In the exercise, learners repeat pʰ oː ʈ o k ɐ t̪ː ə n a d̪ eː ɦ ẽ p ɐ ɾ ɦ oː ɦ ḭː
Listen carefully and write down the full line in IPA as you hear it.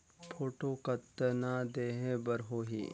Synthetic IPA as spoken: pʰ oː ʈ o k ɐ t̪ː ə n a d̪ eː ɦ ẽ b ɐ ɾ ɦ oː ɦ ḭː

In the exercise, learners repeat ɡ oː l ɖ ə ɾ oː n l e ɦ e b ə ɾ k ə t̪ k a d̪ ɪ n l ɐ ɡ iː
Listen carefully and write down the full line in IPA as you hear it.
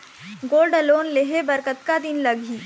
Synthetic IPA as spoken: ɡ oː l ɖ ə l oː n l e ɦ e b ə ɾ k ə t̪ k a d̪ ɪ n l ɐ ɡ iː

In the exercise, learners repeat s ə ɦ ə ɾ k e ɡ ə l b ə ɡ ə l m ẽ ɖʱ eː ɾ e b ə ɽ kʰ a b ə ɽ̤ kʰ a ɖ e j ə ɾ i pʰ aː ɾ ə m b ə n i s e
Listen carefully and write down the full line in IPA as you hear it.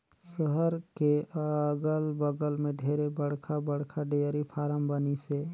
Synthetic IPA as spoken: s ə ɦ ə ɾ k e ɡ ə l b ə ɡ ə l m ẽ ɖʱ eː ɾ e b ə ɽ kʰ a b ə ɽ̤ kʰ a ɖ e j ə ɾ i pʰ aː ɾ ə m b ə n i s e

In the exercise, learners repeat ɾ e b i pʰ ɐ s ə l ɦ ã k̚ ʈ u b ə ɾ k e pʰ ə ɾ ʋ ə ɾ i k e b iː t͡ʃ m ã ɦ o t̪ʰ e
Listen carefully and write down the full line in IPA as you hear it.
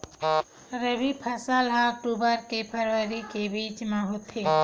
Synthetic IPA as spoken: ɾ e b i pʰ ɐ s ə l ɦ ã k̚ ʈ u b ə ɾ k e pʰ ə ɾ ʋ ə ɾ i k e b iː t͡ʃ m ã ɦ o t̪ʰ e

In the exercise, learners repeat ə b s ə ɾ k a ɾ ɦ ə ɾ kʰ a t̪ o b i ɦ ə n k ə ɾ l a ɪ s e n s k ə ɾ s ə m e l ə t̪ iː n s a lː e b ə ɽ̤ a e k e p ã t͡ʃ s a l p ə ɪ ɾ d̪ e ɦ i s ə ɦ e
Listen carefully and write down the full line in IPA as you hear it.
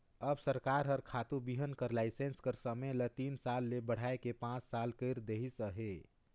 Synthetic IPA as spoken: ə b s ə ɾ k a ɾ ɦ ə ɾ kʰ a t̪ u b i ɦ ə n k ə ɾ l a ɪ s e n s k ə ɾ s ə m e l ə t̪ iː n s a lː e b ə ɽ̤ a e k e p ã t͡ʃ s a l k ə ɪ ɾ d̪ e ɦ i s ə ɦ e

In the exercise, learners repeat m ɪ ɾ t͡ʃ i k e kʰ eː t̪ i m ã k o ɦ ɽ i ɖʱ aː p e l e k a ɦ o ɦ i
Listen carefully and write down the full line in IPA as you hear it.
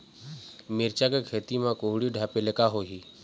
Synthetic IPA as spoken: m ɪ ɾ t͡ʃ a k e kʰ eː t̪ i m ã k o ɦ ɽ i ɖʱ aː p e l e k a ɦ o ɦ i

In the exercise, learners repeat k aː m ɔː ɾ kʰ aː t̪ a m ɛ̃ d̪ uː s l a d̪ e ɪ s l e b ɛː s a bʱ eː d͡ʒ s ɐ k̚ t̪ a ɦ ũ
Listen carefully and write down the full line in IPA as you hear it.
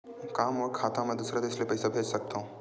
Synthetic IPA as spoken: k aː m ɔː ɾ kʰ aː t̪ a m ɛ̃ d̪ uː s ɾ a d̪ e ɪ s l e p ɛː s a bʱ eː d͡ʒ s ɐ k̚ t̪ a ɦ ũ

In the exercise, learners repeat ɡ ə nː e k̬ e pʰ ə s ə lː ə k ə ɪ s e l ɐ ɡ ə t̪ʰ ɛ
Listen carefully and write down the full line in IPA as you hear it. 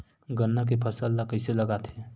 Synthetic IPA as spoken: ɡ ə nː a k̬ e pʰ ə s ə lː a k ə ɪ s e l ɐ ɡ a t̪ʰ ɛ

